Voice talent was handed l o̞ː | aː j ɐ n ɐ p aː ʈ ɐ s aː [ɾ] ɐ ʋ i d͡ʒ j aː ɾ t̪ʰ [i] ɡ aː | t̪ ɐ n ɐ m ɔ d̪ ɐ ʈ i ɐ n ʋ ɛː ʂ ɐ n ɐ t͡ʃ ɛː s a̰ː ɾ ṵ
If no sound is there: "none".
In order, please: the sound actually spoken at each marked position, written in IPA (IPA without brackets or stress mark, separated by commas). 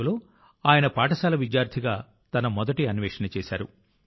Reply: l, i